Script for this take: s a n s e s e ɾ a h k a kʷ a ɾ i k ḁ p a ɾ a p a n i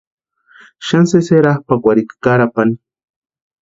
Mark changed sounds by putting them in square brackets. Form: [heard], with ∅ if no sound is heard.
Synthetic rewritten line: [ʃ] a n s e s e ɾ a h [p] a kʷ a ɾ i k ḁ [k] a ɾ a p a n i